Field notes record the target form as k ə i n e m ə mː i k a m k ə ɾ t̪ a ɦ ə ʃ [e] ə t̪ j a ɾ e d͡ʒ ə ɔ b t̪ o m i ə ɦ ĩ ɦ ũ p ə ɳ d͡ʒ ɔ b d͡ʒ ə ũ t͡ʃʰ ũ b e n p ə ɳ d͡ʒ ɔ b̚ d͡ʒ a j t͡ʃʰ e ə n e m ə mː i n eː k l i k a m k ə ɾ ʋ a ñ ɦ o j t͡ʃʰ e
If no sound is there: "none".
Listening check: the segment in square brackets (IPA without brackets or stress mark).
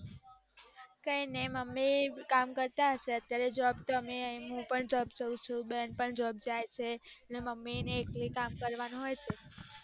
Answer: e